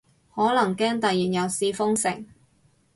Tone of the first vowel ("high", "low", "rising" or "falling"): rising